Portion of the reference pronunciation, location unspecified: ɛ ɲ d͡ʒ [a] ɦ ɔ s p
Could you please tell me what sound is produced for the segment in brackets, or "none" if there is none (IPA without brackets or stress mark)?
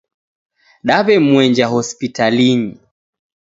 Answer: a